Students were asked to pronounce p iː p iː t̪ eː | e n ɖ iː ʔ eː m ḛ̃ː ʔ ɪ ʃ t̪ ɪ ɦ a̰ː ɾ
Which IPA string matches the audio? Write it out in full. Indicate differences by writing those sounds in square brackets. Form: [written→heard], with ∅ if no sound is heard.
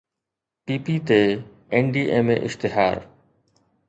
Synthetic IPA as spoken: p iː p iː t̪ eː | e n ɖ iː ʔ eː m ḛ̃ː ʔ ɪ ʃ t̪ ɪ ɦ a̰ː ɾ